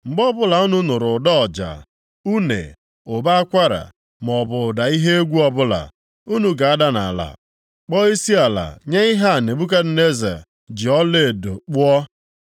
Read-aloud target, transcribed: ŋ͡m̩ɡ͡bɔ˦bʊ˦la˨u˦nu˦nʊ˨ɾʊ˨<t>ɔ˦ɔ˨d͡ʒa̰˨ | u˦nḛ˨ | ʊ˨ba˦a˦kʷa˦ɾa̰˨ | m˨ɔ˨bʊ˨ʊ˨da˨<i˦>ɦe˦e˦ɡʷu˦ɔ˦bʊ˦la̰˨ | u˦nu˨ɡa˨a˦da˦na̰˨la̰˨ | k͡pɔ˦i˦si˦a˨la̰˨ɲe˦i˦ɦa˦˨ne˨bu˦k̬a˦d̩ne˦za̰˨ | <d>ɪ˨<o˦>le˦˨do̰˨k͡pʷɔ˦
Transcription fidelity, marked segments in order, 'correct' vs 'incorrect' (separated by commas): incorrect, correct, incorrect, incorrect